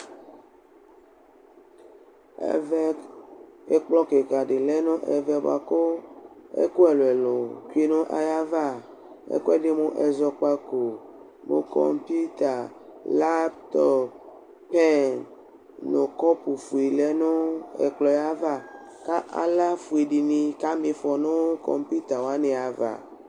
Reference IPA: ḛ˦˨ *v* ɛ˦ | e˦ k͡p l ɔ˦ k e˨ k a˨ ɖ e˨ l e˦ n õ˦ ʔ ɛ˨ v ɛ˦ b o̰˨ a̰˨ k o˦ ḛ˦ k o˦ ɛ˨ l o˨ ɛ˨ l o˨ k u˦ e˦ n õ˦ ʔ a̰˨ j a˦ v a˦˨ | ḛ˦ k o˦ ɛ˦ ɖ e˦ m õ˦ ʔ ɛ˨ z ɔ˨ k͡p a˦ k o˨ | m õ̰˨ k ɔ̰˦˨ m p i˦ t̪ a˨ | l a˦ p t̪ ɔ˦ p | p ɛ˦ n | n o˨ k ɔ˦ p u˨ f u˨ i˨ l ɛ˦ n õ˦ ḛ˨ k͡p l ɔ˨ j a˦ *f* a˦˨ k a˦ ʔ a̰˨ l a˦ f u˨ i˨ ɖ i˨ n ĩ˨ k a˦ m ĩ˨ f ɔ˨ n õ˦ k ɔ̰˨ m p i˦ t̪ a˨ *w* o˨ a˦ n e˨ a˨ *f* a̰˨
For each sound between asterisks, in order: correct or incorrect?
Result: correct, incorrect, correct, incorrect

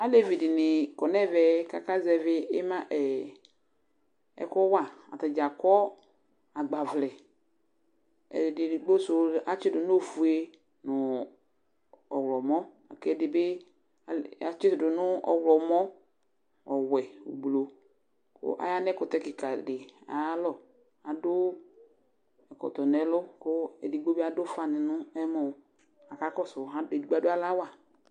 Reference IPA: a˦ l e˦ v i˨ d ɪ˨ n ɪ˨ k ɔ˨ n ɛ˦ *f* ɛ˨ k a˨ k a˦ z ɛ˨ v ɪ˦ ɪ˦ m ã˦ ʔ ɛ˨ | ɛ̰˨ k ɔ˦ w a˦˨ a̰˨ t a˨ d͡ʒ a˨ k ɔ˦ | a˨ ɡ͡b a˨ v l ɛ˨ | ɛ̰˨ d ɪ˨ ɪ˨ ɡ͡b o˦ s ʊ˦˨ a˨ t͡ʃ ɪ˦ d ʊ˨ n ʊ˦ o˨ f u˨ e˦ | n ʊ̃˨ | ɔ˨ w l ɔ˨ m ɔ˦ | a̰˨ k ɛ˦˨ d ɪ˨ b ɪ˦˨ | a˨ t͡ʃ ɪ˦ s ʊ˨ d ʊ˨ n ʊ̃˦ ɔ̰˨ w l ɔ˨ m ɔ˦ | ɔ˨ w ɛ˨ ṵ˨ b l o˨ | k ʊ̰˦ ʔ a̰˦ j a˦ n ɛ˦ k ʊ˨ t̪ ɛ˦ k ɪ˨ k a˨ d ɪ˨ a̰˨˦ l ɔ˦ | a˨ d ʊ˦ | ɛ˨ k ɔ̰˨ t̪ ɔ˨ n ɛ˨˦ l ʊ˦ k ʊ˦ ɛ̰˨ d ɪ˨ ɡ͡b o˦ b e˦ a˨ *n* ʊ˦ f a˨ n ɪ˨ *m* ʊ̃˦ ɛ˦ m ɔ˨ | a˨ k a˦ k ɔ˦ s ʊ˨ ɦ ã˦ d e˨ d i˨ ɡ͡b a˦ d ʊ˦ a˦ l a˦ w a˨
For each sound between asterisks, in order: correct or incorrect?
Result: incorrect, incorrect, incorrect

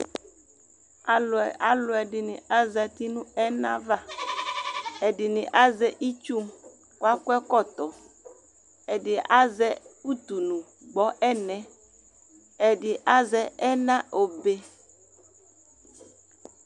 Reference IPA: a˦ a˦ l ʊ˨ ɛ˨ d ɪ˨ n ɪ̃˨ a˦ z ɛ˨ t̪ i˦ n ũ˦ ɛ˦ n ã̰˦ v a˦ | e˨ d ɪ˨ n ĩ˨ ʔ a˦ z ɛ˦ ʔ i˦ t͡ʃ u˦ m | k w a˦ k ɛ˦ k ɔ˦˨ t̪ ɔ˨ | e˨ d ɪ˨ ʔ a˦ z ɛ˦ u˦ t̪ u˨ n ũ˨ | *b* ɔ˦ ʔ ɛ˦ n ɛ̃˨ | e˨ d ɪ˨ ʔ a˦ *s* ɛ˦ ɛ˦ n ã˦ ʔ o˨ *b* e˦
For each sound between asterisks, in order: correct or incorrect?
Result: incorrect, incorrect, correct

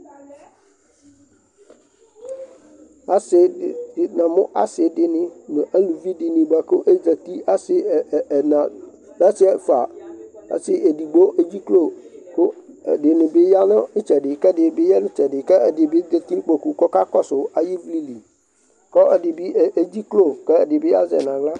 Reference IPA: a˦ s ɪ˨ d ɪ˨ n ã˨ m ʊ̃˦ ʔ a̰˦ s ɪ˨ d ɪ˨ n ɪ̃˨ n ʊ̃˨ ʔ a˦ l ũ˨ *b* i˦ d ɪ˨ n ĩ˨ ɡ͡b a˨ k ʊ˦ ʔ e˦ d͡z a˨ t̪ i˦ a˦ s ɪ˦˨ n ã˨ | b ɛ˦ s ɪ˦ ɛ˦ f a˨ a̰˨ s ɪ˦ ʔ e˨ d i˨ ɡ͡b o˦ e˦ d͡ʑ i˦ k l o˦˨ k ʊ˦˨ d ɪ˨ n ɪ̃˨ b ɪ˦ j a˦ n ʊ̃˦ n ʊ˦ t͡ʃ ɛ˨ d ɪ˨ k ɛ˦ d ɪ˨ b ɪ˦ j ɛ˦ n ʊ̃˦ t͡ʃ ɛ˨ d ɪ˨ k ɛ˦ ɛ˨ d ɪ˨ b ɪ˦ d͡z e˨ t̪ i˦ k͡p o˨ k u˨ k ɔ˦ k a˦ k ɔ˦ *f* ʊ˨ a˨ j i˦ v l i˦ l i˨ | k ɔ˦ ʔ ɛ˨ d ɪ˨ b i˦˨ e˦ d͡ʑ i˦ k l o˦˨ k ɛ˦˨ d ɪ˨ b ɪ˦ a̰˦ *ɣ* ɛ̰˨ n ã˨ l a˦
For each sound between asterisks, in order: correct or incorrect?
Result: incorrect, incorrect, incorrect

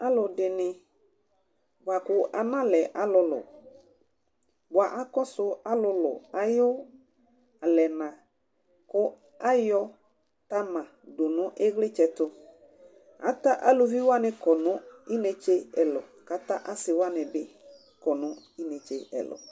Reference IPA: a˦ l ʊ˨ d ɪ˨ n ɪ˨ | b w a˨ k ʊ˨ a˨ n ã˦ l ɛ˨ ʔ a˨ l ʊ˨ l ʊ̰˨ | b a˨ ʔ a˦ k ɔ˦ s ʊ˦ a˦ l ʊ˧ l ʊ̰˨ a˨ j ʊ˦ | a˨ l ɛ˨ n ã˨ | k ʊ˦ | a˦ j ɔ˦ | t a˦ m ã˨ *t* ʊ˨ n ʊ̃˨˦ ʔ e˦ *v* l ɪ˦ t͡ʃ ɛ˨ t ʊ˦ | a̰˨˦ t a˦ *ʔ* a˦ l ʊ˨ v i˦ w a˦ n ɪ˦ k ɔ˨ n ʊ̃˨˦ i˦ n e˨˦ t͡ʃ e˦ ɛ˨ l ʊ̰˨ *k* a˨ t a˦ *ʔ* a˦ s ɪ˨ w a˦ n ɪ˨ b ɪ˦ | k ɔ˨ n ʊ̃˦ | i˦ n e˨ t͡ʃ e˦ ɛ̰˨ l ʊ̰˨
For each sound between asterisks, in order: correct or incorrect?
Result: incorrect, incorrect, correct, correct, correct

